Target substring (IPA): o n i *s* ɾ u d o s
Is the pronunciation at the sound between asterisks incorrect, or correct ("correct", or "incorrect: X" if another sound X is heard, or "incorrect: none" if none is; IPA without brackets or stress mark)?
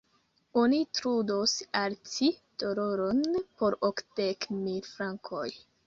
incorrect: t